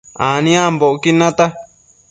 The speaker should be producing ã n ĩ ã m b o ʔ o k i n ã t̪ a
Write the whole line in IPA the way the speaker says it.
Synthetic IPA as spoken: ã n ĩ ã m b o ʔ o k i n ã t̪ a